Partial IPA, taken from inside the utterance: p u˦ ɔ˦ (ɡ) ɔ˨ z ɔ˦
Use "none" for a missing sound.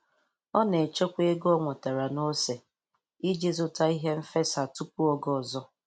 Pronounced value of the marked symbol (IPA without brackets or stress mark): ɡ